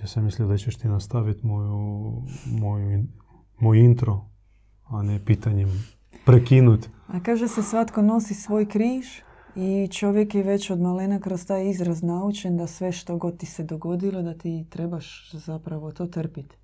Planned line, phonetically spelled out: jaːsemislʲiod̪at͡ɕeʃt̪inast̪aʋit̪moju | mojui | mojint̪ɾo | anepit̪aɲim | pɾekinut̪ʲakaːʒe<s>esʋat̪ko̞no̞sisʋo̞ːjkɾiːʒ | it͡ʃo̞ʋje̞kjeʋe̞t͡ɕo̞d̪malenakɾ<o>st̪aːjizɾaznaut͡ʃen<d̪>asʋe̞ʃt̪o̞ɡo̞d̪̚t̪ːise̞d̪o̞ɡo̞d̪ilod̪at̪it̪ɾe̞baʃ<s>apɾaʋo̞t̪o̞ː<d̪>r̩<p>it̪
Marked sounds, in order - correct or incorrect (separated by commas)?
correct, correct, correct, incorrect, incorrect, correct